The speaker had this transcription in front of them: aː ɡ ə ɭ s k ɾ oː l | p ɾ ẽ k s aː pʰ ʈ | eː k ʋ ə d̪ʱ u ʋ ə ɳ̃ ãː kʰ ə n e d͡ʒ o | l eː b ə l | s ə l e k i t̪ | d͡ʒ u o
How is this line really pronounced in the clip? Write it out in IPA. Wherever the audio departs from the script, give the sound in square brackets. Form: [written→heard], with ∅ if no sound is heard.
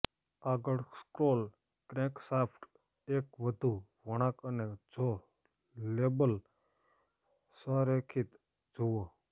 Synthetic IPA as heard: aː ɡ ə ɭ s k ɾ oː l | [p→k] ɾ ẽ k s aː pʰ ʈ | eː k ʋ ə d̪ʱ u ʋ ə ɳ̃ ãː [kʰ→k] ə n e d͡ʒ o | l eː b ə l | s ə [l→ɾ] e [k→kʰ] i t̪ | d͡ʒ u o